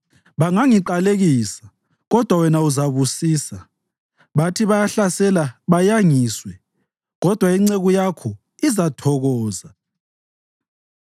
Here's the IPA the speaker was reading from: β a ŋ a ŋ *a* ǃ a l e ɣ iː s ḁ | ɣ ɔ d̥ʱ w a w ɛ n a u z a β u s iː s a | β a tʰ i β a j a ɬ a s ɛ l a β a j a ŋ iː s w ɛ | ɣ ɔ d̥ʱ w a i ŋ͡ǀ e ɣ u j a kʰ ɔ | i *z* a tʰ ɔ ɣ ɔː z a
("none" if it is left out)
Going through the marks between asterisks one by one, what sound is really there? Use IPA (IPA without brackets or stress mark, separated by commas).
i, z